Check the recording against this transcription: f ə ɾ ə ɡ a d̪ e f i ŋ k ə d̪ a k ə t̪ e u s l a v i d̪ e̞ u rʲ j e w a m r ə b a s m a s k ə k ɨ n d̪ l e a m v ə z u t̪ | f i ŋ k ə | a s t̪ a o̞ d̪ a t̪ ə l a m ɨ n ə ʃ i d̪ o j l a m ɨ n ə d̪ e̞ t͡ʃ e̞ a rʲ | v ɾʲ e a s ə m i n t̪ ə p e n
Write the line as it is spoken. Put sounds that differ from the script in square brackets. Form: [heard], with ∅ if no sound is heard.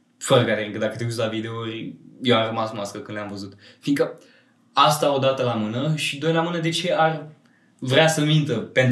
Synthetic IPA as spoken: f ə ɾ ə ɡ a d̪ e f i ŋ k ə d̪ a k ə t̪ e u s l a v i d̪ e̞ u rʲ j e w a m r ə [m] a s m a s k ə k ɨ n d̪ l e a m v ə z u t̪ | f i ŋ k ə | a s t̪ a o̞ d̪ a t̪ ə l a m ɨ n ə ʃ i d̪ o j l a m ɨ n ə d̪ e̞ t͡ʃ e̞ a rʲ | v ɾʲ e a s ə m i n t̪ ə p e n